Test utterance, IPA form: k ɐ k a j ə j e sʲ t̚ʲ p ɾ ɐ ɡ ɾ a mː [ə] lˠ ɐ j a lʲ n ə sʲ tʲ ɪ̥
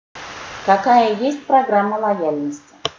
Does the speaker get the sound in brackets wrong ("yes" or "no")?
no